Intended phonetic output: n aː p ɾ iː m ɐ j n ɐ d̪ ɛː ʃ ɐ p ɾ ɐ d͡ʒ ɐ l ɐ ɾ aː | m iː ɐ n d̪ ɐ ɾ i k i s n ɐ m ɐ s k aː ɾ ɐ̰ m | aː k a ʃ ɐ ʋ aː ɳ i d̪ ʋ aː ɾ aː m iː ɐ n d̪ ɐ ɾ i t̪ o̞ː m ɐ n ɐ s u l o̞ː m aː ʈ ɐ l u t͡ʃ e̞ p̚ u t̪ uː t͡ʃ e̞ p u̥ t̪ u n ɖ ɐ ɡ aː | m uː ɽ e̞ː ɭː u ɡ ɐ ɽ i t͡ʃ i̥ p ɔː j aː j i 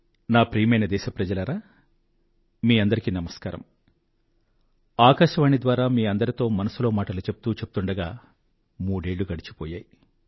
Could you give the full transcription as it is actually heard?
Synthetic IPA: n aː p ɾ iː m ɐ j n ɐ d̪ ɛː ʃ ɐ p ɾ ɐ d͡ʒ ɐ l ɐ ɾ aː | m iː ɐ n d̪ ɐ ɾ i k i n ɐ m ɐ s k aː ɾ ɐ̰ m | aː k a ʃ ɐ ʋ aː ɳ i d̪ ʋ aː ɾ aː m iː ɐ n d̪ ɐ ɾ i t̪ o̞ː m ɐ n ɐ s u l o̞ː m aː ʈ ɐ l u t͡ʃ e̞ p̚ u t̪ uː t͡ʃ e̞ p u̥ t̪ u ɳ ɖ ɐ ɡ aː | m uː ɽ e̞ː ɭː u ɡ ɐ ɽ i t͡ʃ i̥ p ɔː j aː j i